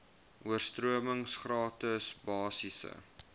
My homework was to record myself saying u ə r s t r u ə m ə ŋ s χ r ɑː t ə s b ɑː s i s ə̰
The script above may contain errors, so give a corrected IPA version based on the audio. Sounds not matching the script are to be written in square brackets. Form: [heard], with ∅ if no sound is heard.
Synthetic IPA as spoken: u ə r s t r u ə m ə ŋ s χ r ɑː t ə s b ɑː s i s ə̰